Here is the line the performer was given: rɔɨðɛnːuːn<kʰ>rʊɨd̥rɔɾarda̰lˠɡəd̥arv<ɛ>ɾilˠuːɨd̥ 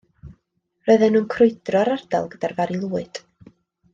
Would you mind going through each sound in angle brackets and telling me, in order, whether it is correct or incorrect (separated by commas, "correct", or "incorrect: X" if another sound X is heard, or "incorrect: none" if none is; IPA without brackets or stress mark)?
correct, incorrect: a